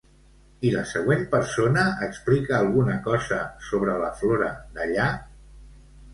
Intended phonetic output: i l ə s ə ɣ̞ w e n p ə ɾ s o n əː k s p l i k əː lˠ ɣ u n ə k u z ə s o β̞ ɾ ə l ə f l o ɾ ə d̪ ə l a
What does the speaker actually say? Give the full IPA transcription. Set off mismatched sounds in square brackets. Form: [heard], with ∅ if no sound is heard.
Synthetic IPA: i l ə s ə ɣ̞ w e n p ə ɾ s o n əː k s p l i k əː lˠ ɣ u n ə k [ɔ] z ə s o β̞ ɾ ə l ə f l o ɾ ə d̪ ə [ʎ] a